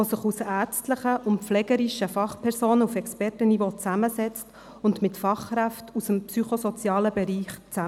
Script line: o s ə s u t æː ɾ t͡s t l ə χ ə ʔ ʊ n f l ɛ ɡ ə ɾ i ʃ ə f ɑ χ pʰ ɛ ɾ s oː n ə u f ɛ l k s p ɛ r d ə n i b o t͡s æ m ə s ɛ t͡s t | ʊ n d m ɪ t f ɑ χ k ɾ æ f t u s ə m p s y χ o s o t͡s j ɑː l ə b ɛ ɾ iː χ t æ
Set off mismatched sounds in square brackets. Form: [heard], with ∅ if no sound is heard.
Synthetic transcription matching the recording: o s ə [χ] u [s] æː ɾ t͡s t l ə χ ə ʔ ʊ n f l ɛ ɡ ə ɾ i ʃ ə f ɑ χ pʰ ɛ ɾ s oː n ə u f ɛ [∅] k s p ɛ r [t] ə n i [v] o t͡s æ m ə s ɛ t͡s t | ʊ n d m ɪ t f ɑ χ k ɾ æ f t u s ə m p s y χ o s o t͡s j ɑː l ə b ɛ ɾ iː χ [t͡s] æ